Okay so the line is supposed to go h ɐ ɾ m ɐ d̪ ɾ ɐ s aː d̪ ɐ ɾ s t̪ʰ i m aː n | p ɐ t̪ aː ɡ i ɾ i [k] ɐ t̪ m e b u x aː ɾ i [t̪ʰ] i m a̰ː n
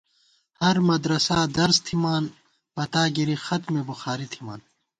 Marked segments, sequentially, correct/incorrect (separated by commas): incorrect, correct